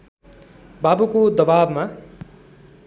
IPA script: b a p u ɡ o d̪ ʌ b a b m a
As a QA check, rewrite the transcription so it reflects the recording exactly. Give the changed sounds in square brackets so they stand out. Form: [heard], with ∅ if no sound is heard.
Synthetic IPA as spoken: b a [b] u [k] o d̪ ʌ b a b m a